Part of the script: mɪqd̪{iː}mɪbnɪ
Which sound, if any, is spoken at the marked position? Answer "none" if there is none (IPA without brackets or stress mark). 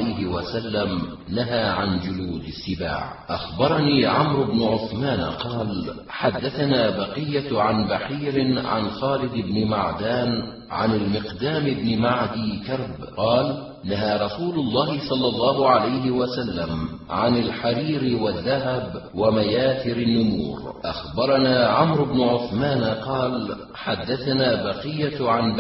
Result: aː